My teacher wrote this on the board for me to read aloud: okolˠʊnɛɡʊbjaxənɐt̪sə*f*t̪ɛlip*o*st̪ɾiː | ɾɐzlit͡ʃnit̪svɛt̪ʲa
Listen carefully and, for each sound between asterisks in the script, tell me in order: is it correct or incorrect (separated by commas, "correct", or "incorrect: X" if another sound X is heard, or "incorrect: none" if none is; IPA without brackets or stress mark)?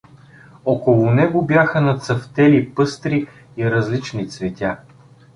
correct, incorrect: ɤ